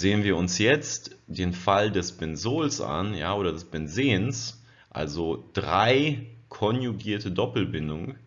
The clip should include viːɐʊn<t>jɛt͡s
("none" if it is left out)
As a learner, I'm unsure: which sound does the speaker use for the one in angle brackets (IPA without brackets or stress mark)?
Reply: s